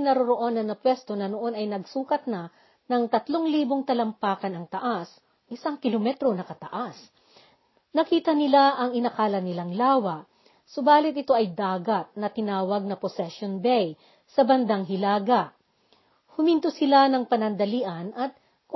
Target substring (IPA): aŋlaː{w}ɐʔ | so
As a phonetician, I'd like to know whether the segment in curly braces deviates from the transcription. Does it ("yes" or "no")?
no